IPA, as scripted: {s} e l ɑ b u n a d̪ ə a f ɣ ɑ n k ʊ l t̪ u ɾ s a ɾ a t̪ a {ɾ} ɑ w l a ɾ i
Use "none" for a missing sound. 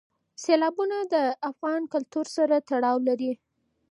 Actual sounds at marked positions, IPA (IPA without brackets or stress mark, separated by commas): s, ɽ